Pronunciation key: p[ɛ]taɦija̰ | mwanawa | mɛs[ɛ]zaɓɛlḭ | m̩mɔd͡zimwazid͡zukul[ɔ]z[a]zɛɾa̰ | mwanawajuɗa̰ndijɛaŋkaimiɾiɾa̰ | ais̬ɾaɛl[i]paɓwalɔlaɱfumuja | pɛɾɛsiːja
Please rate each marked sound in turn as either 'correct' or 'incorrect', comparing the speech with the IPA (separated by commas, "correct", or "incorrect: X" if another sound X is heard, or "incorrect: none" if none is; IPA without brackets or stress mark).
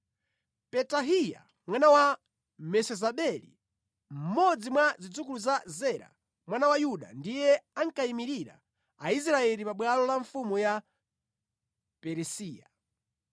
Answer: correct, correct, incorrect: u, correct, correct